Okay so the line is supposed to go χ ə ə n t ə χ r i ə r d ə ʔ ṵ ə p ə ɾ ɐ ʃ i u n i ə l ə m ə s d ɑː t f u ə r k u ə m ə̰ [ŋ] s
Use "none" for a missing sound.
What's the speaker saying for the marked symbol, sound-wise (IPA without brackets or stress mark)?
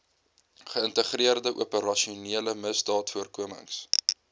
ŋ